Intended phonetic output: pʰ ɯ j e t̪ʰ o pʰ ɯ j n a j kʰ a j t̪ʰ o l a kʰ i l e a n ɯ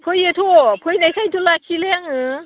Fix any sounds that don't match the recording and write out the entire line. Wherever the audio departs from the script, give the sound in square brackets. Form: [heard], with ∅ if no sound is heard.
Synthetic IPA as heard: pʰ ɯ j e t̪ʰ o pʰ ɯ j n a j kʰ a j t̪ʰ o l a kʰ i l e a [ŋ] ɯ